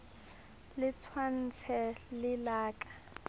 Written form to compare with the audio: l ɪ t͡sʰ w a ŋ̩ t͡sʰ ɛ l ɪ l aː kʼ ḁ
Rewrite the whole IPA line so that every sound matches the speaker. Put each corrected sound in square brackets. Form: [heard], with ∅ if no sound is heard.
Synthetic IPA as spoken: l ɪ t͡sʰ w a [n̩] t͡sʰ ɛ l ɪ l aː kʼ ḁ